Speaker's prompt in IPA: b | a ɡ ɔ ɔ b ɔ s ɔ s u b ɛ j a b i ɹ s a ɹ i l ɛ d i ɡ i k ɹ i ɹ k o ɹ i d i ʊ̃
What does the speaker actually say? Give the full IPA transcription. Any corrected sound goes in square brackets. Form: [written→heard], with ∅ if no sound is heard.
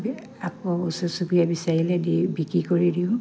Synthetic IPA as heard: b | a [ɡ→k] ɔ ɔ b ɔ s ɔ s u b [ɛ→i] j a b i [ɹ→∅] s a ɹ i l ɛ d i [ɡ→b] i k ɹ i [ɹ→∅] k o ɹ i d i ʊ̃

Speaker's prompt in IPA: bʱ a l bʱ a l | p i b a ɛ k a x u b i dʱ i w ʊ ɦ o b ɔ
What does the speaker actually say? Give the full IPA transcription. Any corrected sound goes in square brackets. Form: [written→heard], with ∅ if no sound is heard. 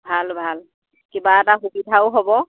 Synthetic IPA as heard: bʱ a l bʱ a l | [p→k] i b a ɛ [k→t] a x u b i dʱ [i→a] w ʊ ɦ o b ɔ

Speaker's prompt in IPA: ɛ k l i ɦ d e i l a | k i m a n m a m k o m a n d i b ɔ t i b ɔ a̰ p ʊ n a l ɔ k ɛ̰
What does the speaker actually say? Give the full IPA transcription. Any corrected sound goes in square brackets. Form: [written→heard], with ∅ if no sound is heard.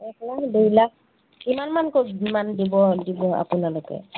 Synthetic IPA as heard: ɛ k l [i→a] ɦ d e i l a | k i m a n m a [m→n] k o m a n d i b ɔ [t→d] i b ɔ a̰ p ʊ n a l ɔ k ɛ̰

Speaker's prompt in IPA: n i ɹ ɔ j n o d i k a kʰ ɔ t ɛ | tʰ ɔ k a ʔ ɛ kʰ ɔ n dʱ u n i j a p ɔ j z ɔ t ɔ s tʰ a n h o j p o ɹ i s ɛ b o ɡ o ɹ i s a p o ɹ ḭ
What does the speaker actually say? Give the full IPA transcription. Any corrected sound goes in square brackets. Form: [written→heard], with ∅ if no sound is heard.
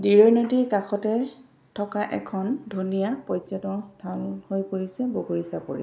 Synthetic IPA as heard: [n→d] i ɹ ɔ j n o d i k a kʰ ɔ t ɛ | tʰ ɔ k a ʔ ɛ kʰ ɔ n dʱ u n i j a p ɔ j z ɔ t ɔ s tʰ a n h o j p o ɹ i s ɛ b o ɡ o ɹ i s a p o ɹ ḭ

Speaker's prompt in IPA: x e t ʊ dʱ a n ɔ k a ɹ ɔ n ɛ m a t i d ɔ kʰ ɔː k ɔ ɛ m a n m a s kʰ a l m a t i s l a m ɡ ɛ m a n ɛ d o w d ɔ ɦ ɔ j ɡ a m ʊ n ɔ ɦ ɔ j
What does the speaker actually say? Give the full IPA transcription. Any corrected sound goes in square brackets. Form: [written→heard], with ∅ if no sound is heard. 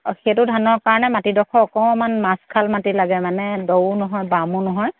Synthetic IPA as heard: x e t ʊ dʱ a n ɔ k a ɹ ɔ n ɛ m a t i d ɔ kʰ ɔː k ɔ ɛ m a n m a s kʰ a l m a t i [s→∅] l a [m→∅] ɡ ɛ m a n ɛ d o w [d→n] ɔ ɦ ɔ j [ɡ→b] a m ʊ n ɔ ɦ ɔ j

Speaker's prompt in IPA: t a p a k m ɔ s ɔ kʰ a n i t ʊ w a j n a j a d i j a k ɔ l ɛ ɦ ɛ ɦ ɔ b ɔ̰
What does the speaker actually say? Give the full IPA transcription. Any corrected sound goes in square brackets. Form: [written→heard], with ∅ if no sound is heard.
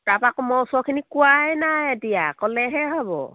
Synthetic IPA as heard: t a p a k m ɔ s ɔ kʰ [a→i] n i [t→k] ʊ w a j n a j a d i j a k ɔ l ɛ ɦ ɛ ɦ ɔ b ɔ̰

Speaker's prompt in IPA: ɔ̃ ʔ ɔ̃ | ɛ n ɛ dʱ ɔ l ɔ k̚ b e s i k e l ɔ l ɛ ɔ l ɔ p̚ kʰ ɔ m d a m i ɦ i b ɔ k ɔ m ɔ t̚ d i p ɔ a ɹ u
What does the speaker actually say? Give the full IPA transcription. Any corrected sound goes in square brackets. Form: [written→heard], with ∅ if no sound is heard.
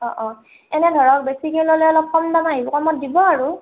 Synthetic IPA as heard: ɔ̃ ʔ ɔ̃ | ɛ n ɛ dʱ ɔ [l→ɹ] ɔ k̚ b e s i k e l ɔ l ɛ ɔ l ɔ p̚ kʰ ɔ m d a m [i→a] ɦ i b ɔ k ɔ m ɔ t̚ d i [p→b] ɔ a ɹ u

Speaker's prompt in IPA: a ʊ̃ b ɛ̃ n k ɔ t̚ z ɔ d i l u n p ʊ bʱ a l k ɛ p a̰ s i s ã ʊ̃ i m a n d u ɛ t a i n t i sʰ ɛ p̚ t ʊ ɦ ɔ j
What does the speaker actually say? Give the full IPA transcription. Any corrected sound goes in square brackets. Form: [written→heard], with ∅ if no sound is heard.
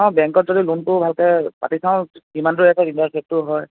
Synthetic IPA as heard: a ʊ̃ b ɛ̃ [n→ŋ] k ɔ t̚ z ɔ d i l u n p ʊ bʱ a l k ɛ p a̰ [s→t] i s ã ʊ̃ i m a n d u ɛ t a i n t [i→a] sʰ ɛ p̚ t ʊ ɦ ɔ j

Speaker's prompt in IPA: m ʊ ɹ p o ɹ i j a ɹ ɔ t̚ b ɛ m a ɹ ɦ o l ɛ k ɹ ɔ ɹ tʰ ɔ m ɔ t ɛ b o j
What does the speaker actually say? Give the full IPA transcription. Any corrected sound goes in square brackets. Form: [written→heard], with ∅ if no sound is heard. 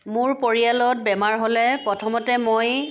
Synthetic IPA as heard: m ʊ ɹ p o ɹ i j a [ɹ→l] ɔ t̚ b ɛ m a ɹ ɦ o l ɛ [k→p] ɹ ɔ [ɹ→∅] tʰ ɔ m ɔ t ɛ [b→m] o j

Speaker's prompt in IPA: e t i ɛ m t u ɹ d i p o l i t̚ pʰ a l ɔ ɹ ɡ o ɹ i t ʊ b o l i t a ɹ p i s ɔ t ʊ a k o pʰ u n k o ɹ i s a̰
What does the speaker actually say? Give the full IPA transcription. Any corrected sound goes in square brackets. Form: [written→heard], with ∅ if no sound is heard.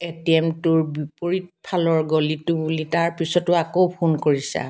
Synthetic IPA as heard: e t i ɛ m t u ɹ [d→b] i p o [l→ɹ] i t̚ pʰ a l ɔ ɹ ɡ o [ɹ→l] i t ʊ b [o→u] l i t a ɹ p i s ɔ t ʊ a k o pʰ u n k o ɹ i s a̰

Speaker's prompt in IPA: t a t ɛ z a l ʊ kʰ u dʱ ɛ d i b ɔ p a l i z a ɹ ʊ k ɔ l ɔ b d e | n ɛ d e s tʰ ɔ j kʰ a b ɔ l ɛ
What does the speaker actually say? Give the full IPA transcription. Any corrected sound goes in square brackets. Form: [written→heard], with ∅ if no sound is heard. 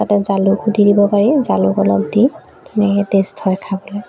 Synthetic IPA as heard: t a t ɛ z a l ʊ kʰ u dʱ [ɛ→i] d i b ɔ p a [l→ɹ] i z a [ɹ→l] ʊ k ɔ l ɔ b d [e→i] | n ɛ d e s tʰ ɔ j kʰ a b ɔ l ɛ

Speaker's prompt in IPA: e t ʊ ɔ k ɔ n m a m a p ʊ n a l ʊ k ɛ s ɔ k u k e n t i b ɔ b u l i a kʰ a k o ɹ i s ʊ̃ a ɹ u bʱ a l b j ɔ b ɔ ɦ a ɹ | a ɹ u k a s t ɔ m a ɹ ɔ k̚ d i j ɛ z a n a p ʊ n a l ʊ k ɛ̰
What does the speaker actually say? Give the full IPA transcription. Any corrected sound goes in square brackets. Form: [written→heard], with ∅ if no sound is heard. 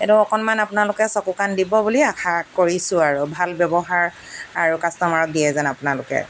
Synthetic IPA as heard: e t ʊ ɔ k ɔ n m a [m→n] a p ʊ n a l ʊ k ɛ s ɔ k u k [e→a] n [t→d] i b ɔ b u l i a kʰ a k o ɹ i s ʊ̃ a ɹ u bʱ a l b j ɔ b ɔ ɦ a ɹ | a ɹ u k a s t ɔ m a ɹ ɔ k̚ d i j ɛ z a n a p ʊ n a l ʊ k ɛ̰

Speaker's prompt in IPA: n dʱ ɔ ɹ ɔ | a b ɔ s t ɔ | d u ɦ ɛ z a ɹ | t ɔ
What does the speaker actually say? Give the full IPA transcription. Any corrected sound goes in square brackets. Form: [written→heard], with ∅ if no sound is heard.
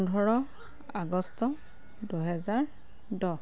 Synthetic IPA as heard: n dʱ ɔ ɹ ɔ | a [b→ɡ] ɔ s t ɔ | d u ɦ ɛ z a ɹ | [t→d] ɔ

